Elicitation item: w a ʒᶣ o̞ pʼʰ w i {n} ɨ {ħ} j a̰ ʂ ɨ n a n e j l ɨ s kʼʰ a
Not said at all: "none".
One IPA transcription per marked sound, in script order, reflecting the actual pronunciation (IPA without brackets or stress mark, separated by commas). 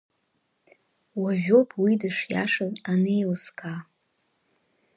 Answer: d, ʂ